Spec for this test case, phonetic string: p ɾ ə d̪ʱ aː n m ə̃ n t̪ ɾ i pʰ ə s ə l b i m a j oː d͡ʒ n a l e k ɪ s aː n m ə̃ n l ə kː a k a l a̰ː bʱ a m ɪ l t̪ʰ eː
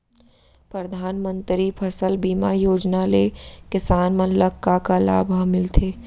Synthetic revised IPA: p ɾ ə d̪ʱ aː n m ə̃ n t̪ ɾ i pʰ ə s ə l b iː m a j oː d͡ʒ n a l e k ɪ s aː n m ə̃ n l ə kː a k a l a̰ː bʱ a m ɪ l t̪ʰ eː